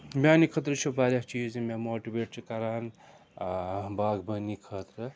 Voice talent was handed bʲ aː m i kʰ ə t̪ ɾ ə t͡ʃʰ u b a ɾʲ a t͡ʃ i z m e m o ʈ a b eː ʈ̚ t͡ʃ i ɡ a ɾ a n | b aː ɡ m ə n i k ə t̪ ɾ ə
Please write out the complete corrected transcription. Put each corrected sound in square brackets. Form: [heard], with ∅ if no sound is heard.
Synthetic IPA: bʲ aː [n] i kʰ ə t̪ ɾ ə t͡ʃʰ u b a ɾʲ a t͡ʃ i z m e m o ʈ [i] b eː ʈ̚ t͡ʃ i [k] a ɾ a n | b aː ɡ [b] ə n i [kʰ] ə t̪ ɾ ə